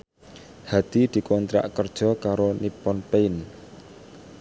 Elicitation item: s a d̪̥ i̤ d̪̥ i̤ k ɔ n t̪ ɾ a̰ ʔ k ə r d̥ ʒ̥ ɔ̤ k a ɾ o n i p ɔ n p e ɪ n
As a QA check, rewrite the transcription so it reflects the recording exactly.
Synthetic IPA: h a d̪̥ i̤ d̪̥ i̤ k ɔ n t̪ ɾ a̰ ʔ k ə r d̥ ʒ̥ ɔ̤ k a ɾ o n i p ɔ n p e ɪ n